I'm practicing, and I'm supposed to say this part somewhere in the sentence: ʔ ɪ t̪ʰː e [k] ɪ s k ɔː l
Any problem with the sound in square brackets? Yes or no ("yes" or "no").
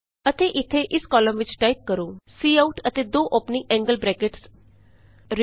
yes